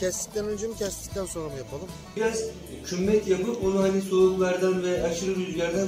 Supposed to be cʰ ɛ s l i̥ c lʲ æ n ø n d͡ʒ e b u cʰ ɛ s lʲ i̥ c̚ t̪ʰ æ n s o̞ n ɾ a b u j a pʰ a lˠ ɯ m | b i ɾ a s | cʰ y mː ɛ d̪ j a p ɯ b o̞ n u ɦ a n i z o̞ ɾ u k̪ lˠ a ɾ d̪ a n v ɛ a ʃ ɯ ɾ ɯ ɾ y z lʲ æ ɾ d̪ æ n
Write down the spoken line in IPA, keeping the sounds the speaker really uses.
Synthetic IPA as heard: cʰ ɛ s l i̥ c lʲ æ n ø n d͡ʒ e m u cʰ ɛ s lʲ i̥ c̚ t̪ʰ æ n s o̞ n ɾ a m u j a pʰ a lˠ ɯ m | b i ɾ a z | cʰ y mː ɛ t̪ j a p ɯ p o̞ n u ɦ a n i s o̞ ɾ u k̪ lˠ a ɾ d̪ a n v ɛ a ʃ ɯ ɾ ɯ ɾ y z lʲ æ ɾ d̪ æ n